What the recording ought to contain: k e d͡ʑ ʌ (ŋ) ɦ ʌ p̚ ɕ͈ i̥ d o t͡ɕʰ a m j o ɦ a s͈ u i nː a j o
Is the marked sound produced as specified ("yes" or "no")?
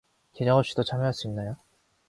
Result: yes